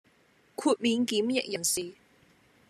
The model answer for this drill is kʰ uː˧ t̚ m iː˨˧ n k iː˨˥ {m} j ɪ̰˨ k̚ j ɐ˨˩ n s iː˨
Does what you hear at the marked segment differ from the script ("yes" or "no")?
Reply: no